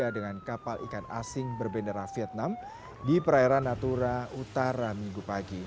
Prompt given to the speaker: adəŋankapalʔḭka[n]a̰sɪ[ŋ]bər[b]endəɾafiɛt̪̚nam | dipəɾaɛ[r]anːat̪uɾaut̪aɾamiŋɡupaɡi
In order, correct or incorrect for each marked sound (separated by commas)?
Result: correct, correct, correct, incorrect